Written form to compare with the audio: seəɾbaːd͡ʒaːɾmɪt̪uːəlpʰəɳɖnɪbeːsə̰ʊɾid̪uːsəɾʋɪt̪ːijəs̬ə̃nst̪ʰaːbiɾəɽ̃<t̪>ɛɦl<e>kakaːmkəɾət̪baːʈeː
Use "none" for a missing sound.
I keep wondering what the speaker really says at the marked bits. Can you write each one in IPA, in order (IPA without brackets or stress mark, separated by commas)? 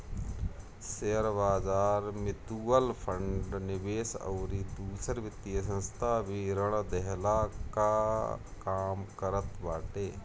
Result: d̪, a